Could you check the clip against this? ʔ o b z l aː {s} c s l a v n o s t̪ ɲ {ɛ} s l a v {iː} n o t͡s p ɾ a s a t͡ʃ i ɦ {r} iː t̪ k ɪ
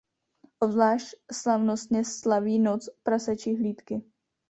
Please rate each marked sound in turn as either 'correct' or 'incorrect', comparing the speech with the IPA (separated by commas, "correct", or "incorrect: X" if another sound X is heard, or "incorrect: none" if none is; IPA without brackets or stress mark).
incorrect: ʃ, correct, correct, incorrect: l